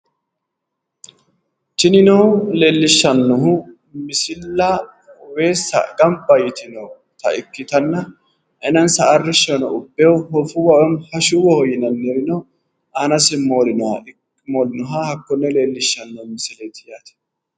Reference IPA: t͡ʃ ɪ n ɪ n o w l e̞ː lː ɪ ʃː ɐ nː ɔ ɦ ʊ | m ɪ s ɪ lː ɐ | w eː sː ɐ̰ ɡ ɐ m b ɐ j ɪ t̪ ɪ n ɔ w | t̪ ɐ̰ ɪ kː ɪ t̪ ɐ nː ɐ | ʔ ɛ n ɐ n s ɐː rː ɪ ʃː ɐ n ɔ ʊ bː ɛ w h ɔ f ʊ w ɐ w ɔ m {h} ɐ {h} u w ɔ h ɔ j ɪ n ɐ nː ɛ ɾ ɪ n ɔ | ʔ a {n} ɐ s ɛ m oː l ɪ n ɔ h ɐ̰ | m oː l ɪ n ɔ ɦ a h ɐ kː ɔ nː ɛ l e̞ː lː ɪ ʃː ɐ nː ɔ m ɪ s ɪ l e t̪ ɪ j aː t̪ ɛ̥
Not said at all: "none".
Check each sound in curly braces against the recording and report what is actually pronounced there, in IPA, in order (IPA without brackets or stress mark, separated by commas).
h, ʃ, n